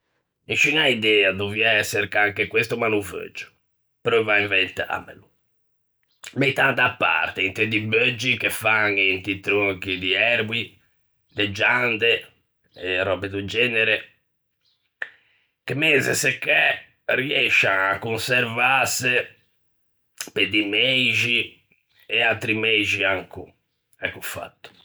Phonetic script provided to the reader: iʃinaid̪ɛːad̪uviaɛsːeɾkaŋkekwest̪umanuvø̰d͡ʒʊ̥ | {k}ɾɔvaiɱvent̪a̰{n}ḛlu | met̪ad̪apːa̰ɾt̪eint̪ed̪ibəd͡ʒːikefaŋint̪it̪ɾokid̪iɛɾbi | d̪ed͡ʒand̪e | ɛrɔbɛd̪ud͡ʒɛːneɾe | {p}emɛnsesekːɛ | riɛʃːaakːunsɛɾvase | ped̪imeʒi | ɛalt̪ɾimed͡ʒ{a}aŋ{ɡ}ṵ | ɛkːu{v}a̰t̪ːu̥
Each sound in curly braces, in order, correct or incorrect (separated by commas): incorrect, incorrect, incorrect, incorrect, incorrect, incorrect